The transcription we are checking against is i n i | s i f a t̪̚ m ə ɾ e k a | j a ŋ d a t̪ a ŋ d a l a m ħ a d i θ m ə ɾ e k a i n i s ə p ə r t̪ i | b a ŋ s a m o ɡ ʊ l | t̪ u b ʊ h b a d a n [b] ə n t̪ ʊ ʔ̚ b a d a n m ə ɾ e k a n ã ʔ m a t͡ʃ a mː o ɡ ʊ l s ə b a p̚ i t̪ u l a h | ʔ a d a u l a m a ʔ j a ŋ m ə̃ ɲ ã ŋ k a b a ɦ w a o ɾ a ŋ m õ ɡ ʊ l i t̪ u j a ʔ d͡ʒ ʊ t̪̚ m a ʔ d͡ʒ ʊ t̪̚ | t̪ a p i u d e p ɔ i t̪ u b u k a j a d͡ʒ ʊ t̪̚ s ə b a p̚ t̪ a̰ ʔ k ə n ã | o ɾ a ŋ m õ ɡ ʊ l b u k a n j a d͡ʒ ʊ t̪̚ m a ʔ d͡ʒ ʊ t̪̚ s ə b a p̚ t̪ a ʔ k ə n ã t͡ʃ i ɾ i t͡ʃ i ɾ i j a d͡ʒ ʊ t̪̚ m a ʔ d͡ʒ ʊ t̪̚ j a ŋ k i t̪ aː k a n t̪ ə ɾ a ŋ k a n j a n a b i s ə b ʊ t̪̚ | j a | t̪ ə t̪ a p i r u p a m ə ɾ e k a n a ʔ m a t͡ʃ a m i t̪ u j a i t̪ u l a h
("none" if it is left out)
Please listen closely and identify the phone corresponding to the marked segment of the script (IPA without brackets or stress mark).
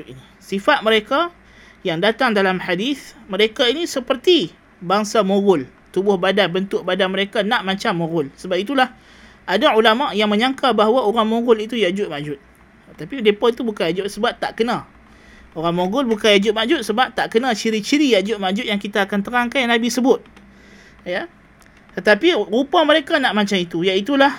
b